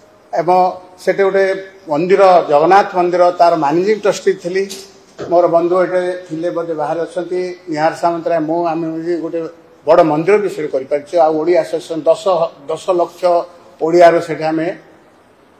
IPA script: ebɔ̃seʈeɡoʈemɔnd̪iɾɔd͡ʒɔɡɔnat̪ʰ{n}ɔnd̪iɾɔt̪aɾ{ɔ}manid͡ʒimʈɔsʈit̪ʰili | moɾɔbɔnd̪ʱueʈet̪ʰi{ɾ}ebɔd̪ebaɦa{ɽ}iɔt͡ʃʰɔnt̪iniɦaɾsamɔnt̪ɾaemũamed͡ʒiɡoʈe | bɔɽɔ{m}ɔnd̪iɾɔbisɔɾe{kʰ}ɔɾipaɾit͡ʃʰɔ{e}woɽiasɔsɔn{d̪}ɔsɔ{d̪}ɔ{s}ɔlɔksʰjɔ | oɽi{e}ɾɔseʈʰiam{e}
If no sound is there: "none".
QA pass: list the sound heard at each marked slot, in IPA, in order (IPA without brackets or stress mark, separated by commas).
m, ɔ, l, ɾ, m, k, a, d̪, d̪, s, a, e